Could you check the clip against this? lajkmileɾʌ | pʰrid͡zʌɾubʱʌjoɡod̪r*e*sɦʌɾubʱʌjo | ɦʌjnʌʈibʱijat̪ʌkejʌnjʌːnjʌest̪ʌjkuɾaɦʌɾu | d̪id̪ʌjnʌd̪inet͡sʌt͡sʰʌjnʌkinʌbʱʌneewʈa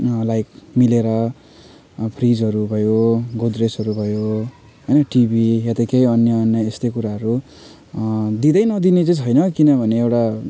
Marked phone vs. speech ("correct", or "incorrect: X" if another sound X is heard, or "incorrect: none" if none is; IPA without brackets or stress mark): correct